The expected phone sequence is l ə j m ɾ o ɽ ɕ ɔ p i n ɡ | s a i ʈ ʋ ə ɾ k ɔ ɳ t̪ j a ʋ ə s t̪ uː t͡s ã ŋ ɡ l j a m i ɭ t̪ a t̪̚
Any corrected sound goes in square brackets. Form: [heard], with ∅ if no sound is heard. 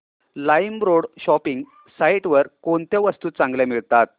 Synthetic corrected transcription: l [a] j m ɾ o ɽ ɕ ɔ p i [ŋ] ɡ | s a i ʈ ʋ ə ɾ k [o] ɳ t̪ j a ʋ ə s t̪ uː t͡s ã ŋ ɡ l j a m i ɭ t̪ a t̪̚